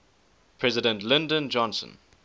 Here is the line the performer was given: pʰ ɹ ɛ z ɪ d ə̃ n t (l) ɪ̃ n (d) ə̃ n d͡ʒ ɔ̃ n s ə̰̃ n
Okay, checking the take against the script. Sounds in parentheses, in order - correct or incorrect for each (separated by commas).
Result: correct, correct